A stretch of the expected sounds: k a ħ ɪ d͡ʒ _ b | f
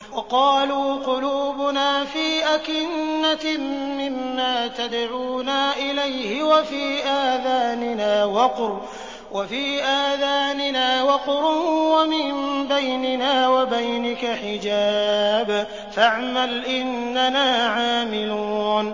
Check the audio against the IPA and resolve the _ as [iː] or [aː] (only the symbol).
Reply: aː